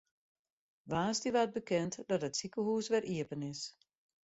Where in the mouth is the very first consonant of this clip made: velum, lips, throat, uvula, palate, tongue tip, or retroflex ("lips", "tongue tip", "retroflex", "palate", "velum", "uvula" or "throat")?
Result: lips